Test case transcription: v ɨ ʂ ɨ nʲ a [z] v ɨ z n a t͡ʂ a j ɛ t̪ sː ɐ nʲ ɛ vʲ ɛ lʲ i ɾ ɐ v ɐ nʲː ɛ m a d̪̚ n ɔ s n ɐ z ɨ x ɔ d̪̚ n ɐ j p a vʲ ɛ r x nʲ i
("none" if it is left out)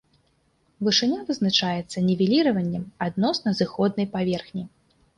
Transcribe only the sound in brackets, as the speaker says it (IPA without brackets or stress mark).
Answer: none